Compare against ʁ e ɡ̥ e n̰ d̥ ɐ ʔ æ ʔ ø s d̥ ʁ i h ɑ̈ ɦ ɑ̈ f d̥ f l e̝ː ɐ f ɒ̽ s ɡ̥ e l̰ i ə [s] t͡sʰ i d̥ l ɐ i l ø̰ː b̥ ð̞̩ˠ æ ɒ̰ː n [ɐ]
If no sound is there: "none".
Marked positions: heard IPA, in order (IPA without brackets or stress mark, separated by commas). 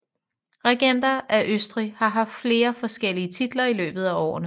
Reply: none, ə